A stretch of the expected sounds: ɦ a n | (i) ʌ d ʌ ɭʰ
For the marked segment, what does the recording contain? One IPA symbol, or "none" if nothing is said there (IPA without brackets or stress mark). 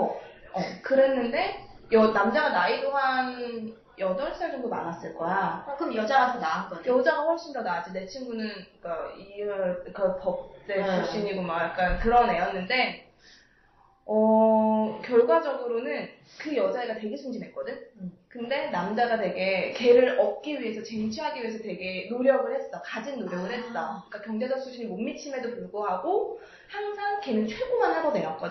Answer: j